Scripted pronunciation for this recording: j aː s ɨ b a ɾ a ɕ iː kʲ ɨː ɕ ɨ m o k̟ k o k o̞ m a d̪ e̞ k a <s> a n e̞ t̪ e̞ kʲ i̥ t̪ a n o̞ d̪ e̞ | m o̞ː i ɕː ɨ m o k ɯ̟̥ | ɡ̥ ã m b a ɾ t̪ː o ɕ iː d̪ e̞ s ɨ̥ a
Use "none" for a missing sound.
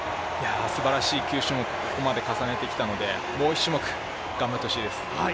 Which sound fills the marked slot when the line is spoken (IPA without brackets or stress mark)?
s